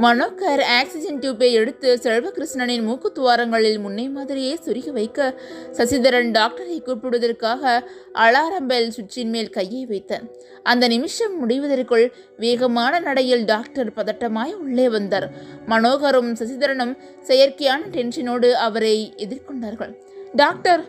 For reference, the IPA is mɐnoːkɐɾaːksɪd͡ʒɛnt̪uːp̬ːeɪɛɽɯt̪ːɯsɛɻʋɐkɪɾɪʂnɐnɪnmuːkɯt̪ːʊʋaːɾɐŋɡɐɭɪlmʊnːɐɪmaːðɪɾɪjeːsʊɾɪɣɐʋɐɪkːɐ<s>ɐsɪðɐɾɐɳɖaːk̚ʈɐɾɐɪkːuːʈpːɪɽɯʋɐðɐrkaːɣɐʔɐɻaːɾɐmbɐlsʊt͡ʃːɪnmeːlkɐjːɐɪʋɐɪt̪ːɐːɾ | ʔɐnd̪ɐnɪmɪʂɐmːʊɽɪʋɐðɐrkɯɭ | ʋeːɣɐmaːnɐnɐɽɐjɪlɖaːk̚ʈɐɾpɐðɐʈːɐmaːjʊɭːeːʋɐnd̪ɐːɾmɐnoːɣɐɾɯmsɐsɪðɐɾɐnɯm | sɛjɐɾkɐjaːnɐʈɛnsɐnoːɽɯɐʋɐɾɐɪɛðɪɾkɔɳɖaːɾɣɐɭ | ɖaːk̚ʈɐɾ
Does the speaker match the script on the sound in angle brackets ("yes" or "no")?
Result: yes